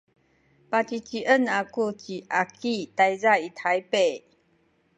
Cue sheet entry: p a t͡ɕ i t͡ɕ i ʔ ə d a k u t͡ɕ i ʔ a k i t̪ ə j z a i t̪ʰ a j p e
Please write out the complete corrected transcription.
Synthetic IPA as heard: p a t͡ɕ i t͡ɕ i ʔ ə n a k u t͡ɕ i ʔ a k i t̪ a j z a i t̪ʰ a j p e